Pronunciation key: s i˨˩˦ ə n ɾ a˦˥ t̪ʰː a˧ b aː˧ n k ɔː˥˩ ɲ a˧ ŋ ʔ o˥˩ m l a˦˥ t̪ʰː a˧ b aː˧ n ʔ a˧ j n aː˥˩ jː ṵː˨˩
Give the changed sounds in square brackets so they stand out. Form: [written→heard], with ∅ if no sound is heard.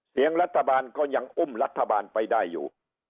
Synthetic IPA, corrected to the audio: s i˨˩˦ ə [n→ŋ] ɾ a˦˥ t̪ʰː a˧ b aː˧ n k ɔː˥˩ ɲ a˧ ŋ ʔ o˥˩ m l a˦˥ t̪ʰː a˧ b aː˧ n [ʔ→p] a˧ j [n→d] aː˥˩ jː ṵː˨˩